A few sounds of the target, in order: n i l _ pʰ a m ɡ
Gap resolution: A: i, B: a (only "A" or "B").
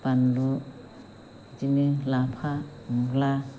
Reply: B